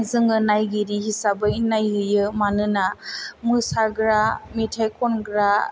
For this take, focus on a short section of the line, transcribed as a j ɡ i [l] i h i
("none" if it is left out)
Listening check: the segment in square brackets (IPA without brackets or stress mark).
ɾ